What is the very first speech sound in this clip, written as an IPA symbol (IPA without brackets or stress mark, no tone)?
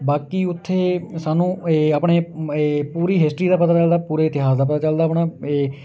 b